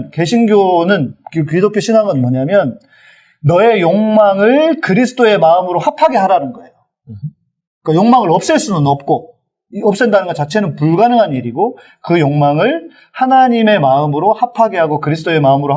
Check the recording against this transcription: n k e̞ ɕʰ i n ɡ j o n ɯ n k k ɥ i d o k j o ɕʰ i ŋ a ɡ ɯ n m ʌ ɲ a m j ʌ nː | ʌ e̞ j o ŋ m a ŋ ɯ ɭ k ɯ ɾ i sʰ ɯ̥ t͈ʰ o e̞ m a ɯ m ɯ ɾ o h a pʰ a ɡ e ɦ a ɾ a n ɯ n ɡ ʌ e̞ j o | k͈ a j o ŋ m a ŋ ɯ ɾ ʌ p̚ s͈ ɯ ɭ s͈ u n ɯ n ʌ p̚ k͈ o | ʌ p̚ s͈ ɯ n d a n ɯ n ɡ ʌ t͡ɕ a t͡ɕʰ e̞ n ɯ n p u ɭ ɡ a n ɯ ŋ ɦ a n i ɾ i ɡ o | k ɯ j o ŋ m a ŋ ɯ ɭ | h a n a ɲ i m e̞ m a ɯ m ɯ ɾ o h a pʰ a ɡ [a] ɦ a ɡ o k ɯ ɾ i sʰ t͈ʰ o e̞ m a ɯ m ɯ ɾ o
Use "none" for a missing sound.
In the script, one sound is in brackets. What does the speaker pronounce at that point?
e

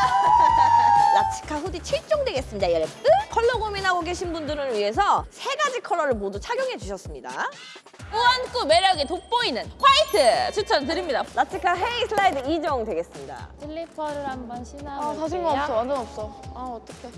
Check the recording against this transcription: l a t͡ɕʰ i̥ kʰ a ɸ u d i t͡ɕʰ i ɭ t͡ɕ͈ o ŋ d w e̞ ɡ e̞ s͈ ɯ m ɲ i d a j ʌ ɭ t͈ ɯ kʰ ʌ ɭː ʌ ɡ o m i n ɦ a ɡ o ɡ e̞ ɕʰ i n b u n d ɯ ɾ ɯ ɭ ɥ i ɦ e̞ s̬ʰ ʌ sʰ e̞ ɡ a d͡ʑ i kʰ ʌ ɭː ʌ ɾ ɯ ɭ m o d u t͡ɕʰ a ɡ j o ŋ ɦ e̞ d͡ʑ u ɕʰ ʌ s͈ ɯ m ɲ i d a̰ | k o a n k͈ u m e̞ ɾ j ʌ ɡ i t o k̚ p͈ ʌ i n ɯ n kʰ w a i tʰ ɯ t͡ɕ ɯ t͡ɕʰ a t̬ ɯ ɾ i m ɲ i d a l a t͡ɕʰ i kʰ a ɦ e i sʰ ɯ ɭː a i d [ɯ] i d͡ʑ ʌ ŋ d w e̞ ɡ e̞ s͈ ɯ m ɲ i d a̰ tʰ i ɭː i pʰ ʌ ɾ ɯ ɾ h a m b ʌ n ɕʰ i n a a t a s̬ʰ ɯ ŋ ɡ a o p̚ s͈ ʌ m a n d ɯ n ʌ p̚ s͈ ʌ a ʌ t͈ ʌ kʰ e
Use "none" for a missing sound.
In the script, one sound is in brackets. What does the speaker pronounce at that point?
ɯ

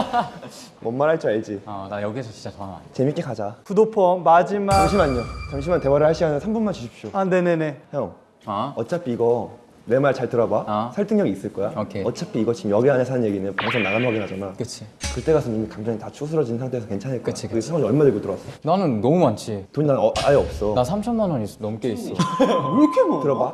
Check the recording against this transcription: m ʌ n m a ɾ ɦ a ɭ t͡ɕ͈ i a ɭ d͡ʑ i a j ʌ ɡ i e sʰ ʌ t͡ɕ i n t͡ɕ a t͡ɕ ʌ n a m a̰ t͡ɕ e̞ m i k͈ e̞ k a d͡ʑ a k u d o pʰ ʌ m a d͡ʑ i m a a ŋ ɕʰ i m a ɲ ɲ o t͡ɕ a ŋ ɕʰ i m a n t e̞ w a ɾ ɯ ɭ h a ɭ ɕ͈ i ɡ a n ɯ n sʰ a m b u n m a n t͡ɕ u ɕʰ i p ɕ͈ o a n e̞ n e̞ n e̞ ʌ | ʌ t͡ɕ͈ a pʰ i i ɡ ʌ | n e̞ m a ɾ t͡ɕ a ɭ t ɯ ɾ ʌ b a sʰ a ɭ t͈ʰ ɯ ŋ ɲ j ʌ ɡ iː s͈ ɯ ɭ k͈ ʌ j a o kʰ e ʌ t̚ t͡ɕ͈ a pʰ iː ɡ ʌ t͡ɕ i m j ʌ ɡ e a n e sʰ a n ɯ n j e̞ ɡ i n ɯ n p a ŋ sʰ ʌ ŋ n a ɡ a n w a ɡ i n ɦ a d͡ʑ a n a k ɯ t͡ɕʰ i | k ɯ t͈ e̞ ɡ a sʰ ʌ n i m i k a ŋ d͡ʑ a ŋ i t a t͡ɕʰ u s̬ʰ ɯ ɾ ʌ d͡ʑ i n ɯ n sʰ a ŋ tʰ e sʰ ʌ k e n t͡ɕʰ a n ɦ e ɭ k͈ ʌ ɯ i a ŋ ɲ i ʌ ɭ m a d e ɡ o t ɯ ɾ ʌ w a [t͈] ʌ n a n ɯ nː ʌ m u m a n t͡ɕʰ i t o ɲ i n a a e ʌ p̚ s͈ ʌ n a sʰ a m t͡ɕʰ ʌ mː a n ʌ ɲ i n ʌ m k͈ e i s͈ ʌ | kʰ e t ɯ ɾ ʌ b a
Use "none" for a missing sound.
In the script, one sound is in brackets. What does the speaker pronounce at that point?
s͈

